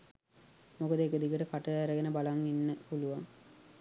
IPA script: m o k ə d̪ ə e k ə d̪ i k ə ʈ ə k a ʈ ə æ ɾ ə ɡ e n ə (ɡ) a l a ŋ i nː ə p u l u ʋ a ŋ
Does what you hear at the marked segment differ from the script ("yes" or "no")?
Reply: yes